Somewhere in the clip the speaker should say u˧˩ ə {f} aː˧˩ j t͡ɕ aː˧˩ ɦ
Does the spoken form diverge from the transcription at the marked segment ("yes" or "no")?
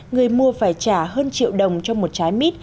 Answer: no